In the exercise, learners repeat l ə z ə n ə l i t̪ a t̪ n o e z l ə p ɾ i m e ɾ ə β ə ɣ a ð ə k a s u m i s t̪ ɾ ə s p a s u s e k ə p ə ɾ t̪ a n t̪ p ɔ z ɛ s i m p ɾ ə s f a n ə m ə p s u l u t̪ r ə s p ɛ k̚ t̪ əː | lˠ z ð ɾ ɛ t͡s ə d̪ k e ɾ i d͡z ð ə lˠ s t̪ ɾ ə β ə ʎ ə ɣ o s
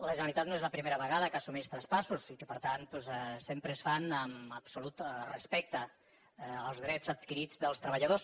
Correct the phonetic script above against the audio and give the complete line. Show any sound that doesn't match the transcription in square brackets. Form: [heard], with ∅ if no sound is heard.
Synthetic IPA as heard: l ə [ʒ] ə n ə l i t̪ a t̪ n o e z l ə p ɾ i m e ɾ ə β ə ɣ a ð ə k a s u m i s t̪ ɾ ə s p a s u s [i] k ə p ə ɾ t̪ a n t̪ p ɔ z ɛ s [e] m p ɾ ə s f a n ə m ə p s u l u t̪ r ə s p ɛ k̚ t̪ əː | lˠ z ð ɾ ɛ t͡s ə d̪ k [i] ɾ i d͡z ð ə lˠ s t̪ ɾ ə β ə ʎ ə [ð] o s